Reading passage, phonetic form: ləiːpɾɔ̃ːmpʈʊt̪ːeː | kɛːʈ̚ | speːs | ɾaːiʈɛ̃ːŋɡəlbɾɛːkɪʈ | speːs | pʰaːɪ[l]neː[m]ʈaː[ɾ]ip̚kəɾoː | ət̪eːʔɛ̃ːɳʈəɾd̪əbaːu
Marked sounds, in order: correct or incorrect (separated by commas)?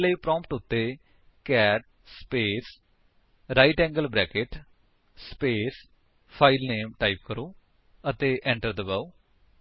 correct, correct, incorrect